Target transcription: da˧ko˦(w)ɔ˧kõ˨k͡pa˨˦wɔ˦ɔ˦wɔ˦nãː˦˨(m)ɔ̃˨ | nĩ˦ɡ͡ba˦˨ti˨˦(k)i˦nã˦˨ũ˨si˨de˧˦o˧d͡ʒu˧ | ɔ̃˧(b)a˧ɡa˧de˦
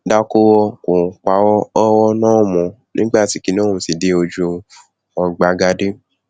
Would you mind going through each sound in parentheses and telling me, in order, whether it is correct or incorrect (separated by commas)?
correct, correct, correct, incorrect